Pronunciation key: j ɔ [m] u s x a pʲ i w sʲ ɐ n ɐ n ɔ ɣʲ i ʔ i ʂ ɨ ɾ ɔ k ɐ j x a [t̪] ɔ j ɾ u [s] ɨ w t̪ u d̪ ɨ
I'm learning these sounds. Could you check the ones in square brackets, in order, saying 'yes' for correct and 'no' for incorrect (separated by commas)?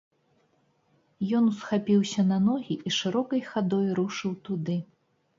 no, no, no